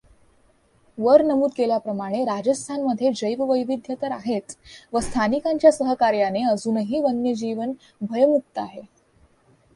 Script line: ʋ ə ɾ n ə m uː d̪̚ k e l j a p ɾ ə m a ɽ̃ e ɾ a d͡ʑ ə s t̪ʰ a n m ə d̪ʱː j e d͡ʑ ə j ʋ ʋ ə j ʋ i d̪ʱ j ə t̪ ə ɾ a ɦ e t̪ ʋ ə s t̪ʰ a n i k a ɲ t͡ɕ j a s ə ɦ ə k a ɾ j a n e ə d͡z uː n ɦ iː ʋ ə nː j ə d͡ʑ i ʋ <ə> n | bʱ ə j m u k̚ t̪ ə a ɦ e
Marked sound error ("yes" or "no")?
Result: no